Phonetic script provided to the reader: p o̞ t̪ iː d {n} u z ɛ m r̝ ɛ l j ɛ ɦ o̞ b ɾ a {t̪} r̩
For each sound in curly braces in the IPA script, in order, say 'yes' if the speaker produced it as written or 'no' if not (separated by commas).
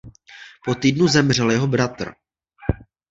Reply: yes, yes